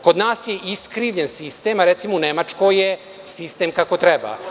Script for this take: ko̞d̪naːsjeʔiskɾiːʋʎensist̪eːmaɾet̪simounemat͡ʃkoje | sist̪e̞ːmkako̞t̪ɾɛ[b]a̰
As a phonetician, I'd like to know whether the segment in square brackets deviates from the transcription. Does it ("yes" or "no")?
no